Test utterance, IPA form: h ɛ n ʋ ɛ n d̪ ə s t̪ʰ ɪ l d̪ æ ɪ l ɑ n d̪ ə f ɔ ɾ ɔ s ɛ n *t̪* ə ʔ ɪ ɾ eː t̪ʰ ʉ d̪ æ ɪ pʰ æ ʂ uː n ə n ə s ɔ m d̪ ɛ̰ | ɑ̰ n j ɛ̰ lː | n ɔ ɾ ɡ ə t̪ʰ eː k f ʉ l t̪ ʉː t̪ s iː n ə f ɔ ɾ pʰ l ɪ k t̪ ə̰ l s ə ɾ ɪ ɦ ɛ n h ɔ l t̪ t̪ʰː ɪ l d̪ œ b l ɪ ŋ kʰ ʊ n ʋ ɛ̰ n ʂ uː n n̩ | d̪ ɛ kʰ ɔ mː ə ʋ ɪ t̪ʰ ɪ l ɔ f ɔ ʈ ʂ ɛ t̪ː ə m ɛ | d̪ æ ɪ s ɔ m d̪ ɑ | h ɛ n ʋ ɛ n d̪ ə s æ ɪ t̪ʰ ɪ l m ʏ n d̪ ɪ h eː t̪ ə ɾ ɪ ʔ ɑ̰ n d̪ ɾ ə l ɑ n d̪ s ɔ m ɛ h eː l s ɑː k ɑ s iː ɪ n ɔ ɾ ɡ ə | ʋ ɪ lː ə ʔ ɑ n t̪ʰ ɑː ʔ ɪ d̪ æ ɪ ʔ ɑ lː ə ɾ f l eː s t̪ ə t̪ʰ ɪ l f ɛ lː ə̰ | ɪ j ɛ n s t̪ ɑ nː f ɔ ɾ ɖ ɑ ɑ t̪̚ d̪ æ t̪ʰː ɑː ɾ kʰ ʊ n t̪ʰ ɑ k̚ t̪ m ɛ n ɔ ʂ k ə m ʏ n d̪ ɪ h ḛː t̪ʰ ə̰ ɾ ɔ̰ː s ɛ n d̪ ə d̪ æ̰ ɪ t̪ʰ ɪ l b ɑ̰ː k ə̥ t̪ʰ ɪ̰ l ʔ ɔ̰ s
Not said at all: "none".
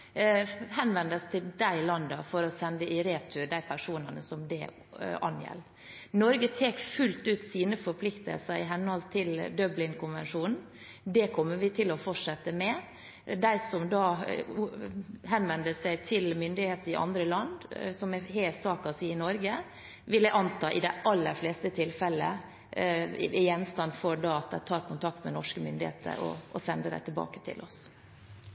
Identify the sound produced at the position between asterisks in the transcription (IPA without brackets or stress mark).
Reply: d̪